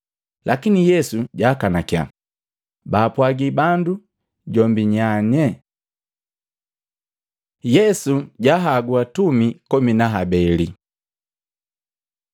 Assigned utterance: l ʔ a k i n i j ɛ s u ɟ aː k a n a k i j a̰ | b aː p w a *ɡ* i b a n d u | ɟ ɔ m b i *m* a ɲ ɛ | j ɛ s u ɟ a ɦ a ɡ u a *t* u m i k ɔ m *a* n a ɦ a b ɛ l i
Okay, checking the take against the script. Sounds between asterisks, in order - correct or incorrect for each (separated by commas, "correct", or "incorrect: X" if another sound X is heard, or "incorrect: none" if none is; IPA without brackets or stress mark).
correct, incorrect: ɲ, correct, incorrect: i